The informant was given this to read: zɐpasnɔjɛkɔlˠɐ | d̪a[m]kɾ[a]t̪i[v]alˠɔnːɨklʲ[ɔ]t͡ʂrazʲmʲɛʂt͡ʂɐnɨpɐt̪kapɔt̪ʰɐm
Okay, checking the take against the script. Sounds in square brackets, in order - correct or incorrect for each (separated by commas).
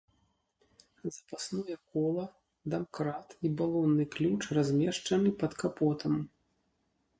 correct, correct, incorrect, incorrect